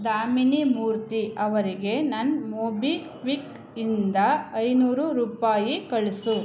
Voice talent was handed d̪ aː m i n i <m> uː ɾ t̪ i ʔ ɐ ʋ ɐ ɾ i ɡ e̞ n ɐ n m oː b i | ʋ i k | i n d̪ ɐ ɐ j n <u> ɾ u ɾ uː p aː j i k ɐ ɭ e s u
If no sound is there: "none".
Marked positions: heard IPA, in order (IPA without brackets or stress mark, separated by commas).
m, uː